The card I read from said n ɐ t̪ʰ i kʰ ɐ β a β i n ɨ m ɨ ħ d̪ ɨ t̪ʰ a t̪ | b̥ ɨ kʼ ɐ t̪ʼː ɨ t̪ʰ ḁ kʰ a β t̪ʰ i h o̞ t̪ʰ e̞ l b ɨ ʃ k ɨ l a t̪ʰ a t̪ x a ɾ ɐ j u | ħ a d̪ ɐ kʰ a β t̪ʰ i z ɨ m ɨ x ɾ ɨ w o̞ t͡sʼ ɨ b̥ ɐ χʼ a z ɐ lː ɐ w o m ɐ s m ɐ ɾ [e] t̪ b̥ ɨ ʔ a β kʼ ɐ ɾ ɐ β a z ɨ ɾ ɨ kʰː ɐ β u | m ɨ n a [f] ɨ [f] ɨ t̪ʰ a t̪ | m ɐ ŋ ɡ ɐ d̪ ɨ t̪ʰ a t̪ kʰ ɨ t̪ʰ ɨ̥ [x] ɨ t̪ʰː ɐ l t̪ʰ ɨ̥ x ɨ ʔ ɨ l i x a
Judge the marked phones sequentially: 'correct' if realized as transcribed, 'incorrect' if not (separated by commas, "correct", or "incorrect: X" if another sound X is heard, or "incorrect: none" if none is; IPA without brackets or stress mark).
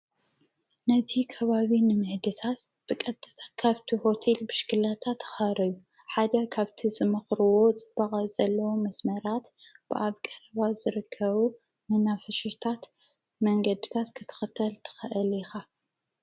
incorrect: a, correct, incorrect: ʃ, correct